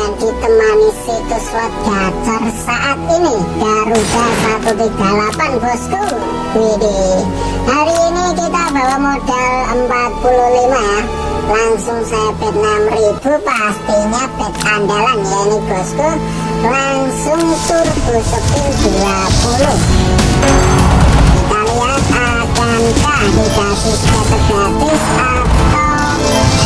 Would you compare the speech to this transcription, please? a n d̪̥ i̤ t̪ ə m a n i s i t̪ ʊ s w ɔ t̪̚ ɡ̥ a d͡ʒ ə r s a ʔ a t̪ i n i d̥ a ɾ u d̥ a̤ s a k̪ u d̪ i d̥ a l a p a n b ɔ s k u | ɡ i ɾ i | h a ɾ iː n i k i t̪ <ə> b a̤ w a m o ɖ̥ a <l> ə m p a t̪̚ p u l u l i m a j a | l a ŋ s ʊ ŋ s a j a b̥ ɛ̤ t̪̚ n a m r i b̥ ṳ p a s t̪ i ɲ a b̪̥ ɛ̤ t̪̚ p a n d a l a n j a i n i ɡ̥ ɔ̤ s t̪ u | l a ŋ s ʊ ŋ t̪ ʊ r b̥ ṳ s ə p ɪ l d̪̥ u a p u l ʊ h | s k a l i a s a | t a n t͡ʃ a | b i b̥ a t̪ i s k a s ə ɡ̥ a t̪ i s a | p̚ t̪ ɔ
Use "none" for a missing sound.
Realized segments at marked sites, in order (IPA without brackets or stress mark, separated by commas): a, l